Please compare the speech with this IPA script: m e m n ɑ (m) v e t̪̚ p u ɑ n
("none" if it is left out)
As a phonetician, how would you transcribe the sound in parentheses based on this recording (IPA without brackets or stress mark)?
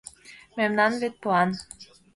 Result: n